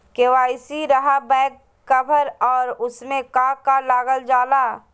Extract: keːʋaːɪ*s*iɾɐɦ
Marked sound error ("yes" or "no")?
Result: no